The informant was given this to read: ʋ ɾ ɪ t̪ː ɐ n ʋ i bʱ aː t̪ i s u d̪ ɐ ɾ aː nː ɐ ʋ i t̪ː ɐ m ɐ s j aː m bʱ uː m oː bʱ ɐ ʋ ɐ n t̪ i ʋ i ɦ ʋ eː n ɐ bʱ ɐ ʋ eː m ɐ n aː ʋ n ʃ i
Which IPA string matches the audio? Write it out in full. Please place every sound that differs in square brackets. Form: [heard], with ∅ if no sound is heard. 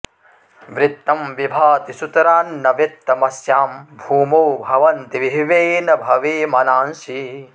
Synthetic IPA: ʋ ɾ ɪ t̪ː ɐ [m] ʋ i bʱ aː t̪ i s u [t̪] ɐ ɾ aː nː ɐ ʋ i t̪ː ɐ m ɐ s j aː m bʱ uː m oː bʱ ɐ ʋ ɐ n t̪ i ʋ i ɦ ʋ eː n ɐ bʱ ɐ ʋ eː m ɐ n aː [∅] n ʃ i

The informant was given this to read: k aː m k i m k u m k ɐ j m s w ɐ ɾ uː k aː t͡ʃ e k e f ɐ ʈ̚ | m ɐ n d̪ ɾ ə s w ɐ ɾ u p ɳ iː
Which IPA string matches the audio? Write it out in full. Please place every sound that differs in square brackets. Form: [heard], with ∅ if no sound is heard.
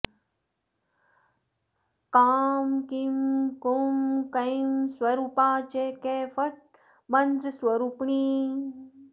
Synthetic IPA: k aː m k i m k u m k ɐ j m s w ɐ ɾ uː [p] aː t͡ʃ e k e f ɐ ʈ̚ | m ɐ n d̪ ɾ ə s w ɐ ɾ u p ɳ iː

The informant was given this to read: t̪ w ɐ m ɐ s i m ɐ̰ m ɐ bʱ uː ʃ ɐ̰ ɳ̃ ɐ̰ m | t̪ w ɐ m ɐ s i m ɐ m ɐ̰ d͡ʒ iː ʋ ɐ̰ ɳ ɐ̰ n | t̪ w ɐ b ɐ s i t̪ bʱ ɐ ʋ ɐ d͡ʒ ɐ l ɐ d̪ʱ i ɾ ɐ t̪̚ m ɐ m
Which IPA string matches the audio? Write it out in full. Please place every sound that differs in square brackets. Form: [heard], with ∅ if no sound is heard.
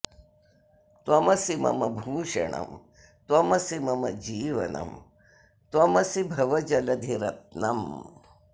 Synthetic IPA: t̪ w ɐ m ɐ s i m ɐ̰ m ɐ bʱ uː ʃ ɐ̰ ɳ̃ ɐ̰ m | t̪ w ɐ m ɐ s i m ɐ m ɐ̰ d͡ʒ iː ʋ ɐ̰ [n] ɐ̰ [m] | t̪ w ɐ [m] ɐ s i [∅] bʱ ɐ ʋ ɐ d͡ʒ ɐ l ɐ d̪ʱ i ɾ ɐ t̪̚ [n] ɐ m

